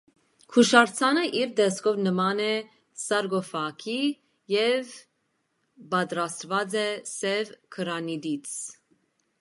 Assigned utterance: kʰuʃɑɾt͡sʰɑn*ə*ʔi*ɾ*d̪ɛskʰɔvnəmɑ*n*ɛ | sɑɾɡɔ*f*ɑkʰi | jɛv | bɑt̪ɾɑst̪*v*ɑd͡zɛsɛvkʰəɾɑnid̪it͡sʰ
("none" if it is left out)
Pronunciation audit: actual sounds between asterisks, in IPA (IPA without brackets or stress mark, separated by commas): ə, ɾ, n, f, v